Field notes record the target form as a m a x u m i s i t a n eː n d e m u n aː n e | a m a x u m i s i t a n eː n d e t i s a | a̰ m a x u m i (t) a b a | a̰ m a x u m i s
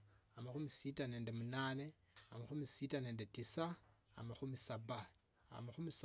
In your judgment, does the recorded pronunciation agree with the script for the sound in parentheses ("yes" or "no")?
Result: no